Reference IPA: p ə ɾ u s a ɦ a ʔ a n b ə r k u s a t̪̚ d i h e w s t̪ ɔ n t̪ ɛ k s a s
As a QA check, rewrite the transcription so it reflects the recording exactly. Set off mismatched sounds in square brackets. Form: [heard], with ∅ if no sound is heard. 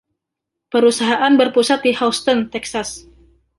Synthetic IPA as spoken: p ə ɾ u s a ɦ a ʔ a n b ə r [p] u s a t̪̚ d i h [a] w s t̪ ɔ n t̪ ɛ k s a s